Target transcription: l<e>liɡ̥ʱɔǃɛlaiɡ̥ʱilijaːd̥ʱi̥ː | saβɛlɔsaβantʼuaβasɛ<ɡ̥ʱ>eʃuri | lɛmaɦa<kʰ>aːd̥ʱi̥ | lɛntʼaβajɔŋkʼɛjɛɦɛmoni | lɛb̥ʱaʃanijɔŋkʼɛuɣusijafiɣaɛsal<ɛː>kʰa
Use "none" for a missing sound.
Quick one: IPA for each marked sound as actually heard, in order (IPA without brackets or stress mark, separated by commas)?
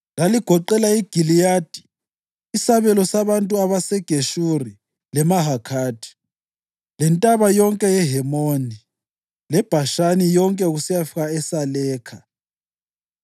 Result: a, ɡ̥ʱ, kʰ, ɛː